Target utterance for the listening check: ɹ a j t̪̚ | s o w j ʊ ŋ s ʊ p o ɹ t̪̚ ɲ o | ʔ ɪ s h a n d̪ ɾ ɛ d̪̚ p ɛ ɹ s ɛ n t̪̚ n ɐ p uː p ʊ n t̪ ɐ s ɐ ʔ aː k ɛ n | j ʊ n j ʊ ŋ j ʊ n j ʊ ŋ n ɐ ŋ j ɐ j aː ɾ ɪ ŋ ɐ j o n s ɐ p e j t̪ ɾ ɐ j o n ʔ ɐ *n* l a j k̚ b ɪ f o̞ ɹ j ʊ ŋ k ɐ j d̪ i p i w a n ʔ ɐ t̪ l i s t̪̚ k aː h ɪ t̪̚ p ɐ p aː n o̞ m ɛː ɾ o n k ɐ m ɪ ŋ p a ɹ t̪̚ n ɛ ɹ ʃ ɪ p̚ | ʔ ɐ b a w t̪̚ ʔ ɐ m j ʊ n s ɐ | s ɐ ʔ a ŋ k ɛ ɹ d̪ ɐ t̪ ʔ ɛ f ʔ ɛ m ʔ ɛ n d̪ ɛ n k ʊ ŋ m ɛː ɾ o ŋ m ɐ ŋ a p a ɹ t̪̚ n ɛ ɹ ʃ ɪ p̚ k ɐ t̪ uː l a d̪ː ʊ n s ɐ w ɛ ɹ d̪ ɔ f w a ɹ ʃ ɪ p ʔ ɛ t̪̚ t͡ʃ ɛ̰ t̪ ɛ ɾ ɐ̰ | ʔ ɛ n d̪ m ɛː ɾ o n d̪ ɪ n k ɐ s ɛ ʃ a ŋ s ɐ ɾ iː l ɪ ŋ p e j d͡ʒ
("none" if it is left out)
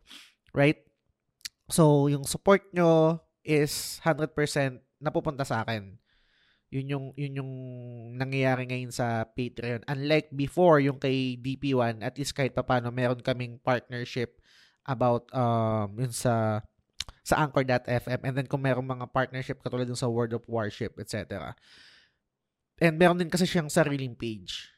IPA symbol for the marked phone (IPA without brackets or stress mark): n